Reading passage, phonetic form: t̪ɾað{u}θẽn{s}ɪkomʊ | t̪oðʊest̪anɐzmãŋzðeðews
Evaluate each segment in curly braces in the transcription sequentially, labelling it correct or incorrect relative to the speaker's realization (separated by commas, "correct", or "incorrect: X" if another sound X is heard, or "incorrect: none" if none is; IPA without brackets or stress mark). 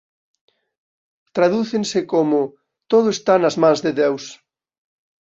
correct, correct